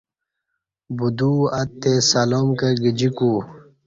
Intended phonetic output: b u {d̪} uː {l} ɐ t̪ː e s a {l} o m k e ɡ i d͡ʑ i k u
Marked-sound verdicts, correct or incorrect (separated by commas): correct, incorrect, correct